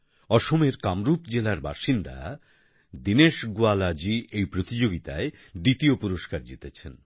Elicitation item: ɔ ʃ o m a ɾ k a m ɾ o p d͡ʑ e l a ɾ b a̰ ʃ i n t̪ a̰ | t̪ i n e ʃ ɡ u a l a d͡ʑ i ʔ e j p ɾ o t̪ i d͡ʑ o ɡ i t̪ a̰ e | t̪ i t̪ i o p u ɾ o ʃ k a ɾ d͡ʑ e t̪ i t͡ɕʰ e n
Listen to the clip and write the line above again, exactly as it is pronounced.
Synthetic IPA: ɔ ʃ o m e ɾ k a m ɾ u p d͡ʑ e l a ɾ b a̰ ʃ i n d̪ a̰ | d̪ i n e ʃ ɡ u a l a d͡ʑ i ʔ e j p ɾ o t̪ i d͡ʑ o ɡ i t̪ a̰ e | d̪ i t̪ i o p u ɾ o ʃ k a ɾ d͡ʑ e t̪ e t͡ɕʰ e n